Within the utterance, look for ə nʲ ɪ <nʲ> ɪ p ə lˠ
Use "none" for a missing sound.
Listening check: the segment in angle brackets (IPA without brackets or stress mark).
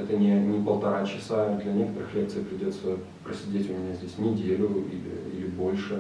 nʲ